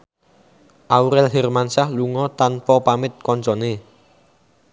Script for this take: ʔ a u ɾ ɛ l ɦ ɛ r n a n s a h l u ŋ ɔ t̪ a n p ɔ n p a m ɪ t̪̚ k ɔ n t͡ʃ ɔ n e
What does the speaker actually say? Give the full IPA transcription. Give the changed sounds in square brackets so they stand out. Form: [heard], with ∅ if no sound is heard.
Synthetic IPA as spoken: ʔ a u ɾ ɛ l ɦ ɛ r [m] a n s a h l u ŋ ɔ t̪ a n p ɔ [∅] p a m ɪ t̪̚ k ɔ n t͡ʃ ɔ n e